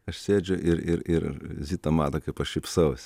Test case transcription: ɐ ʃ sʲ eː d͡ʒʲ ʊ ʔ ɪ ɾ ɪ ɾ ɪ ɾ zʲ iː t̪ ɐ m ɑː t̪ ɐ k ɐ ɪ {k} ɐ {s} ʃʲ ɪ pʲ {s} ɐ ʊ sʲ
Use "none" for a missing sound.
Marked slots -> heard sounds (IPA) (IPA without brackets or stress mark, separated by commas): p, ʃ, s